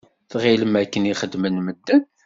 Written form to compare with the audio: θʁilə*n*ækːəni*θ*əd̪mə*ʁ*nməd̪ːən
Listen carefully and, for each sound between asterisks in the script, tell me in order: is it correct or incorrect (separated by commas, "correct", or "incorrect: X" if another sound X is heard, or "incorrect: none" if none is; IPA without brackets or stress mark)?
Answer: incorrect: m, incorrect: χ, incorrect: none